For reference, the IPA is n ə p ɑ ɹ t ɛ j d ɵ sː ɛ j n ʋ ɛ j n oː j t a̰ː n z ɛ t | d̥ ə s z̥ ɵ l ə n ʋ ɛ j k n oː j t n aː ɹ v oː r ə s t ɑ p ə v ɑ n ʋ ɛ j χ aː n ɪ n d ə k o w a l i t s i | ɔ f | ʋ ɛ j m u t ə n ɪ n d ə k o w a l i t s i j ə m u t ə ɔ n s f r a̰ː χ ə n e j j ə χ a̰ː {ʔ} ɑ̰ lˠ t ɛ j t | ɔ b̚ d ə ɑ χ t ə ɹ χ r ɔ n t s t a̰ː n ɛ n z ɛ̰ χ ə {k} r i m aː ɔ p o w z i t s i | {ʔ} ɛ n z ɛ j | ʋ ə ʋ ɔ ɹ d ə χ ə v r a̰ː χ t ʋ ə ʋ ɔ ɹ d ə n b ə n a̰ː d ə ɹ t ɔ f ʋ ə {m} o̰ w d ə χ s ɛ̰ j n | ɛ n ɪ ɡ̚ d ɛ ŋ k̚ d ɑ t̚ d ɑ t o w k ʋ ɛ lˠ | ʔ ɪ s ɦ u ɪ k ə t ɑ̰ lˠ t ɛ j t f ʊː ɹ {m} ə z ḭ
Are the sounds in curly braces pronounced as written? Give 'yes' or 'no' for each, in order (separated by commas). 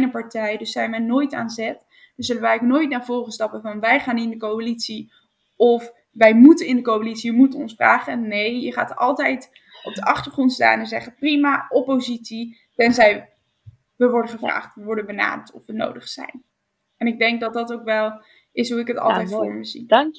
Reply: no, no, no, no, yes